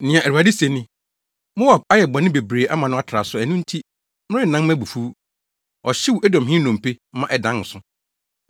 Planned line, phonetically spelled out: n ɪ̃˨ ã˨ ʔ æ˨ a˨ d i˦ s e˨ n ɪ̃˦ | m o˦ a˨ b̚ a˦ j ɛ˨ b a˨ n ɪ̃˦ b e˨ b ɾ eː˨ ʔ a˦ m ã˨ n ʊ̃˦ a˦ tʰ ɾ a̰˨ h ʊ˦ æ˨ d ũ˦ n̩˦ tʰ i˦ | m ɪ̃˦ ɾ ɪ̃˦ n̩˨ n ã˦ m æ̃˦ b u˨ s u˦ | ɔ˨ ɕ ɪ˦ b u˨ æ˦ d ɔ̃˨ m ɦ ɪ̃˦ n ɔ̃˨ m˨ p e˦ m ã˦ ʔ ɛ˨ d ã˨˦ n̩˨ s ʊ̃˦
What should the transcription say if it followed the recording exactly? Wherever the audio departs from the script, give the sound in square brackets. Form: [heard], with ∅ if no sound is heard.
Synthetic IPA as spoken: n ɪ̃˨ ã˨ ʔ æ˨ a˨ d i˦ s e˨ n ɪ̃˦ | m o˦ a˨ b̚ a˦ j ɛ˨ b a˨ n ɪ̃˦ b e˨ b ɾ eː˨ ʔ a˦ m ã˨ n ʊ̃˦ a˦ tʰ ɾ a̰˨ [s] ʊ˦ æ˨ [n] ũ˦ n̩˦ tʰ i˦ | m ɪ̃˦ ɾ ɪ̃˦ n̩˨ n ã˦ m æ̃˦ b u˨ [f] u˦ | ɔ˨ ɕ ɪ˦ [w] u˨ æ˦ d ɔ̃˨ m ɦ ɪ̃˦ n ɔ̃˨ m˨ p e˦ m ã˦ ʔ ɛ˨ d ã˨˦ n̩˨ s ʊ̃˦